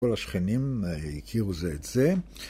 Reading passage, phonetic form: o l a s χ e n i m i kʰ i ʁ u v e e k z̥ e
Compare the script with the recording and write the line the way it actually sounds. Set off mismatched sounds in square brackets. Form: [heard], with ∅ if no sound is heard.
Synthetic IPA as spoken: o l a [ʃ] χ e n i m i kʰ i ʁ u [z] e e [t] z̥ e